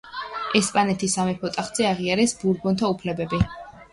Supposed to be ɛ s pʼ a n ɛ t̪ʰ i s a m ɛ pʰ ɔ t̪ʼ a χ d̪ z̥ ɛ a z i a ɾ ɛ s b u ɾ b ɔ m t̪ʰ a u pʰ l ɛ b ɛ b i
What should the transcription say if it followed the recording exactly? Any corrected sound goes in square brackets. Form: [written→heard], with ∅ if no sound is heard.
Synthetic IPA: ɛ s pʼ a n ɛ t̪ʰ i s a m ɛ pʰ ɔ t̪ʼ a χ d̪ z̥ ɛ a [z→ʁ] i a ɾ ɛ s b u ɾ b ɔ [m→n] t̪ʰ a u pʰ l ɛ b ɛ b i